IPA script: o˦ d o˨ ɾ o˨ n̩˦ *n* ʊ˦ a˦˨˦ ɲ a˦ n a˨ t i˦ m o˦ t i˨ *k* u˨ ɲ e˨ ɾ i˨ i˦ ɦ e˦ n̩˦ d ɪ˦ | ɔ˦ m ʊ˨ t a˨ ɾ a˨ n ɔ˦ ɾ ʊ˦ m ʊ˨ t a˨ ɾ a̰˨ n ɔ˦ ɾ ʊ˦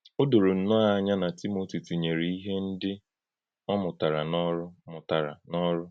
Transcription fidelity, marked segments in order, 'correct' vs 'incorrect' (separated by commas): correct, incorrect